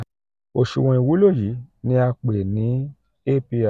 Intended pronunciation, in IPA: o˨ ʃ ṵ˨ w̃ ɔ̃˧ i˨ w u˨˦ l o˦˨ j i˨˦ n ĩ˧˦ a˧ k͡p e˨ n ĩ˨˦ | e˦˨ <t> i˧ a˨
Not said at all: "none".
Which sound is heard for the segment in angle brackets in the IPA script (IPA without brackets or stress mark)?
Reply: p